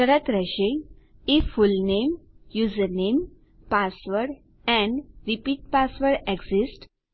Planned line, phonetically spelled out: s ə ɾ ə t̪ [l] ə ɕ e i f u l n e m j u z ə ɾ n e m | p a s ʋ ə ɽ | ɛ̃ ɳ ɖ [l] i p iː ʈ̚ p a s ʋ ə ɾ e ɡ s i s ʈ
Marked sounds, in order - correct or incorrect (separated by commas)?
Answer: incorrect, incorrect